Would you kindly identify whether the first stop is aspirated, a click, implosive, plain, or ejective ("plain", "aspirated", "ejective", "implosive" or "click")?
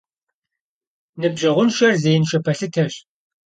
plain